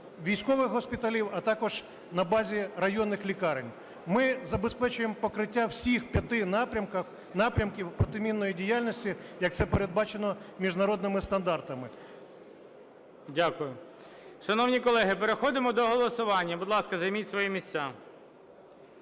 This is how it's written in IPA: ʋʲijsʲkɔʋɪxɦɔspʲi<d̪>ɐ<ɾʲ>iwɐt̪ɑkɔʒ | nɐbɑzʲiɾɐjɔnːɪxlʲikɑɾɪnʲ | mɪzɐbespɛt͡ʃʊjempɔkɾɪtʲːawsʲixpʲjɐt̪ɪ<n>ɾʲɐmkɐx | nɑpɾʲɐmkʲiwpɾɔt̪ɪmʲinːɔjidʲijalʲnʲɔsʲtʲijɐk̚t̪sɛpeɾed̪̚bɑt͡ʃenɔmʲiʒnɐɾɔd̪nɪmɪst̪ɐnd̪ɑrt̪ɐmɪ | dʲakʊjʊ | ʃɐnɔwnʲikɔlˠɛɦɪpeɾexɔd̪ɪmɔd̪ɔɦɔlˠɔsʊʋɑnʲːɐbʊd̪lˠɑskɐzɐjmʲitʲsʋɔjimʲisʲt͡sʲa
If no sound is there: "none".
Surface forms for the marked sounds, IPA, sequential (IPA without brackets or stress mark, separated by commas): t̪, lʲ, n